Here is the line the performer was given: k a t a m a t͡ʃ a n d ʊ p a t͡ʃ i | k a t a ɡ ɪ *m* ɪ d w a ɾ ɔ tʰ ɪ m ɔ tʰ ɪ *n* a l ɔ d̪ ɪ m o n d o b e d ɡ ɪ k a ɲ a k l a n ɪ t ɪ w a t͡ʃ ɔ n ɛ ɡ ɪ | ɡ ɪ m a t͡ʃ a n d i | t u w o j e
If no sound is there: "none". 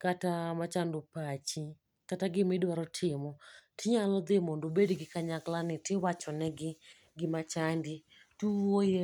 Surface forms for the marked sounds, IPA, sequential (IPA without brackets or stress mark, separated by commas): m, ɲ